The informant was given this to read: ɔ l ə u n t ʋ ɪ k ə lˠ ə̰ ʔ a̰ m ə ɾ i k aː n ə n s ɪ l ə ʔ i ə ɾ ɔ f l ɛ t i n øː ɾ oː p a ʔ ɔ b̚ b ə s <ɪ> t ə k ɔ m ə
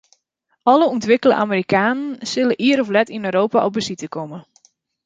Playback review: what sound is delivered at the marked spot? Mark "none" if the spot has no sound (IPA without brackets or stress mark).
i